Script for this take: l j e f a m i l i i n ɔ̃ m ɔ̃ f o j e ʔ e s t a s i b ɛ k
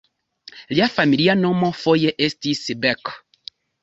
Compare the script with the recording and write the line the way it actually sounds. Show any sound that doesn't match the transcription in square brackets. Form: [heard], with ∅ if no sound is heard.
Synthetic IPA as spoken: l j [a] f a m i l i [a] n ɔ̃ m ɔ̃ f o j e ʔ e s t [i] s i b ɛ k